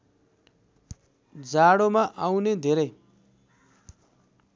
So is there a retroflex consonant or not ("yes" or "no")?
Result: yes